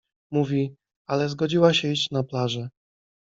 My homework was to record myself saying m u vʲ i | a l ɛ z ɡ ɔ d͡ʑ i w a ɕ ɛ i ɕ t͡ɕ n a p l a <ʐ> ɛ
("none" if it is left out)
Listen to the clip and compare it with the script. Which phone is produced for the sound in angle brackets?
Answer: ʐ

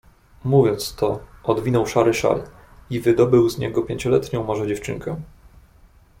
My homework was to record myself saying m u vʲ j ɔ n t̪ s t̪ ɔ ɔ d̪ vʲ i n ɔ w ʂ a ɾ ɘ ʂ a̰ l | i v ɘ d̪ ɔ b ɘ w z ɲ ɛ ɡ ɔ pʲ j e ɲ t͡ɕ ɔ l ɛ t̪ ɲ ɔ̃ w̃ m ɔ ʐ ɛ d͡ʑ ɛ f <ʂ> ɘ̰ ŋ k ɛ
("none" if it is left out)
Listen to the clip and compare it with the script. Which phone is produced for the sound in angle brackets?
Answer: t͡ʂ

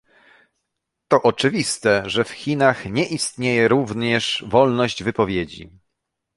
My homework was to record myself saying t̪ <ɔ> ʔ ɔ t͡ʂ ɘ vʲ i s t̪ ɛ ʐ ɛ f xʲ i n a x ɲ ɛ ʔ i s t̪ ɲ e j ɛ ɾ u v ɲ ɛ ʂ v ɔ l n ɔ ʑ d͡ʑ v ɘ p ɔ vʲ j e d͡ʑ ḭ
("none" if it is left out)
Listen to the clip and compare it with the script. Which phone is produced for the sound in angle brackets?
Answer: ɔ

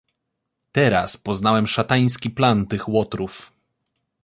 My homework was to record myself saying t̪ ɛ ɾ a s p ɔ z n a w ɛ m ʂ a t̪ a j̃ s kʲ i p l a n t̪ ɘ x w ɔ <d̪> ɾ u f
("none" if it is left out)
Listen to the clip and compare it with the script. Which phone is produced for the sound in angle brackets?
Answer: t̪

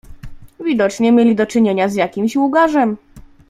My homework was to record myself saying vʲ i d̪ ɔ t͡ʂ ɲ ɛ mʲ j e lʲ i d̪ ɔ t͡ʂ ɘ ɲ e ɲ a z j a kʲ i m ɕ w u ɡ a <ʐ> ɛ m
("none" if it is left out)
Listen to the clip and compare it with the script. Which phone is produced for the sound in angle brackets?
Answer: ʐ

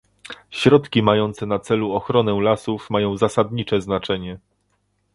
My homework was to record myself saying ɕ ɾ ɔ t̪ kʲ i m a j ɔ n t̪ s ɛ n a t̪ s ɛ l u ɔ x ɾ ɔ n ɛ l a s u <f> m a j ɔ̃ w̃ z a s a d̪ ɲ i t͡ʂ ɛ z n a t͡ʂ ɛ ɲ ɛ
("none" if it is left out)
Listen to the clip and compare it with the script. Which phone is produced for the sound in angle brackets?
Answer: f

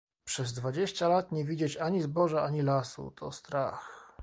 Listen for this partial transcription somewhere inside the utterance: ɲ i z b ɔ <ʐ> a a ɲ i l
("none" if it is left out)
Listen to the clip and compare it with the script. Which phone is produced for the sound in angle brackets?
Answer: ʐ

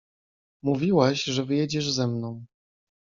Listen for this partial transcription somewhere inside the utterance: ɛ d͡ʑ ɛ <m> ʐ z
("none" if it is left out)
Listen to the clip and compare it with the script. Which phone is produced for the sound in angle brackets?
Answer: none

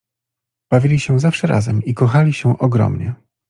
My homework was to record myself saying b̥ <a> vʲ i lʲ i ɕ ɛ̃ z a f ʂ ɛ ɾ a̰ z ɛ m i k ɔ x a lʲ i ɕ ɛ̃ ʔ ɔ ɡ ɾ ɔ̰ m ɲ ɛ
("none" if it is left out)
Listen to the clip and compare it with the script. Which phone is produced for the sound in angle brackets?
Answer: a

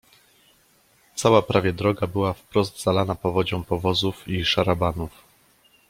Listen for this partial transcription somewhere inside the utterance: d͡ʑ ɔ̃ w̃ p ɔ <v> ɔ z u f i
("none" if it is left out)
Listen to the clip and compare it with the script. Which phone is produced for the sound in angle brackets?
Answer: v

